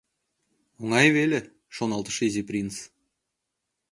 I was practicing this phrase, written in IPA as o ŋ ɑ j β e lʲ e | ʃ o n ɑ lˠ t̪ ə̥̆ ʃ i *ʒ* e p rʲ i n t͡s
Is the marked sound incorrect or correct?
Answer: incorrect